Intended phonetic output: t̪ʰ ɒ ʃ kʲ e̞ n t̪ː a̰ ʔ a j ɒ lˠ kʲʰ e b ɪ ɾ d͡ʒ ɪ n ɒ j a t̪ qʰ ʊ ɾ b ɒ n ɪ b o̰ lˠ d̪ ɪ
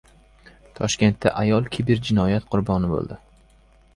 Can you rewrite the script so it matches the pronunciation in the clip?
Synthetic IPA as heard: t̪ʰ ɒ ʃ kʲ e̞ n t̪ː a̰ ʔ a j ɒ lˠ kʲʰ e b ɪ ɾ d͡ʒ ɪ n ɒ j a t̪ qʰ ʊ ɾ b ɒ n ɪ b o̰ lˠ d̪ ɪ